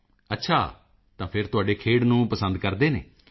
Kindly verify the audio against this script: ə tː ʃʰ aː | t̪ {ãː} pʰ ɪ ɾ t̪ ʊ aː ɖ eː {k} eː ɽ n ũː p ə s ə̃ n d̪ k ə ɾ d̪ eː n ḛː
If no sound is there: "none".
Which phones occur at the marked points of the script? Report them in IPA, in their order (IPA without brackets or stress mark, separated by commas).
ãː, kʰ